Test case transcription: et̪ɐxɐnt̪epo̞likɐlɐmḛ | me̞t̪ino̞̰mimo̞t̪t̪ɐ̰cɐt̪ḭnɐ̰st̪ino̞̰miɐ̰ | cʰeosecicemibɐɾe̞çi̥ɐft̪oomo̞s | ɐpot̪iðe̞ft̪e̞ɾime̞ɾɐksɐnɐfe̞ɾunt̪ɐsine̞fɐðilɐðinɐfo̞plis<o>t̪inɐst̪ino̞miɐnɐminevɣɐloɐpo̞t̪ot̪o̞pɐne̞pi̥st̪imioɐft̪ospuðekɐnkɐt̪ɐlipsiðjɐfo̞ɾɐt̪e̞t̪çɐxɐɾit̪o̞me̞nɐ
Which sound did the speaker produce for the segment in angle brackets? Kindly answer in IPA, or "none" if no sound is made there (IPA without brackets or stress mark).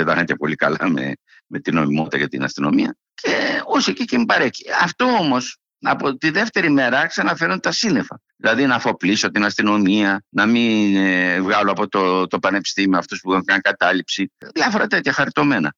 o